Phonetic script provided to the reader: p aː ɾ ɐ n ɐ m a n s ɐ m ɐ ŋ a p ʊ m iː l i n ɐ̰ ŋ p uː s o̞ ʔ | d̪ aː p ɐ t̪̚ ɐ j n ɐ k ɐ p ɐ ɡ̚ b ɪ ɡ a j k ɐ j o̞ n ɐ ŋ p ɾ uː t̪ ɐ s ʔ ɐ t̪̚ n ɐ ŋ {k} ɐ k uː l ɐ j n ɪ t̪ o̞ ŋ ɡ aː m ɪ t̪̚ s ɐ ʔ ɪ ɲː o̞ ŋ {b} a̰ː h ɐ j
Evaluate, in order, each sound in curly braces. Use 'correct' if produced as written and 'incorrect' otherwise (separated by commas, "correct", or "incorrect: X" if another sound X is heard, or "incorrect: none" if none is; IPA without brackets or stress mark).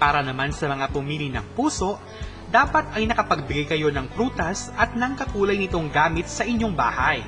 correct, correct